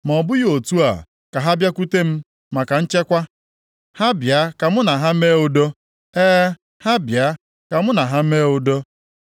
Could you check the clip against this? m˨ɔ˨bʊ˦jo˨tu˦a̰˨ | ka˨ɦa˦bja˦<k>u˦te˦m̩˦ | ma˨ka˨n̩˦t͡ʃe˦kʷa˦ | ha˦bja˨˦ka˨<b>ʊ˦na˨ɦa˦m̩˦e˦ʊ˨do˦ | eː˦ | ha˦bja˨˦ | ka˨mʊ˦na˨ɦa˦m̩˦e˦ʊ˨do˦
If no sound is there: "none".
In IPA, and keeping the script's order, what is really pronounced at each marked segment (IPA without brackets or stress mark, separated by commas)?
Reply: k, m